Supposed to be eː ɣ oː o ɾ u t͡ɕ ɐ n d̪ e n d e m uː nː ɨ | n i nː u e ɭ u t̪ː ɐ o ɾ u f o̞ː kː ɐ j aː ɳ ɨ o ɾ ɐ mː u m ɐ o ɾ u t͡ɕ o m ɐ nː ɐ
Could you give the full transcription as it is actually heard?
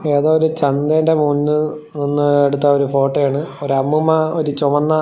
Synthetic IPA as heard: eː ð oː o ɾ u t͡ɕ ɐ n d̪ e n d e m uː nː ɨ | n i nː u e ɽ u t̪ː ɐ o ɾ u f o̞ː ʈː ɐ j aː ɳ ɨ o ɾ ɐ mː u m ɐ o ɾ u t͡ɕ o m ɐ nː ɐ